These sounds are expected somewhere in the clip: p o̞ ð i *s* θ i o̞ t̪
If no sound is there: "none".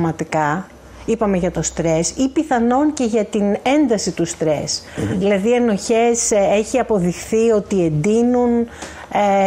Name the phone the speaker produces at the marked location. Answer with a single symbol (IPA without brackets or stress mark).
x